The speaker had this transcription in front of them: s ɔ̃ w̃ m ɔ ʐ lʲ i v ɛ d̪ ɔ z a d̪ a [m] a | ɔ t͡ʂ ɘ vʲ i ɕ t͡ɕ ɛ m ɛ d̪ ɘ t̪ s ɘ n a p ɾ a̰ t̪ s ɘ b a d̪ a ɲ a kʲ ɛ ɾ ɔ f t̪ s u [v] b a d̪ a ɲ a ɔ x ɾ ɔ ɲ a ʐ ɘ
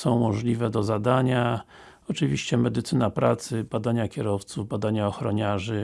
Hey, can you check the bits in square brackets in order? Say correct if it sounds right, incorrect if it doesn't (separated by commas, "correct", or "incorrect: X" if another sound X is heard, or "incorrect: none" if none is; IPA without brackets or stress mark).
incorrect: ɲ, correct